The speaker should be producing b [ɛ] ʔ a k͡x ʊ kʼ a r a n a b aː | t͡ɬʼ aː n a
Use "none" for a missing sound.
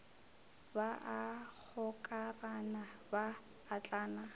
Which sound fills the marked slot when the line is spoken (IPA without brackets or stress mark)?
a